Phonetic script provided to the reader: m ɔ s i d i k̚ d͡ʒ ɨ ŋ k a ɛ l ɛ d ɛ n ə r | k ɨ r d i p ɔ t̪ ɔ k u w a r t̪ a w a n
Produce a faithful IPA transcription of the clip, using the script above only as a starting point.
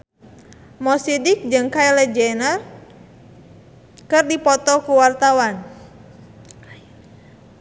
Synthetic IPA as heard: m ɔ s i d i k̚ d͡ʒ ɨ ŋ k a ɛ l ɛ d͡ʒ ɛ n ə r | k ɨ r d i p ɔ t̪ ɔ k u w a r t̪ a w a n